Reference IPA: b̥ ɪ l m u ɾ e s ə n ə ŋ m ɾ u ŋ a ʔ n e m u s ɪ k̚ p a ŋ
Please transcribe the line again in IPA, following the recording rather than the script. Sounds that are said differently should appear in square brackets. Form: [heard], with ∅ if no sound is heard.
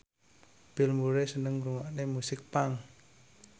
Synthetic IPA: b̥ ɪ l m u ɾ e s ə n ə ŋ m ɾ u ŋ a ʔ n e m u s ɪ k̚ p a ŋ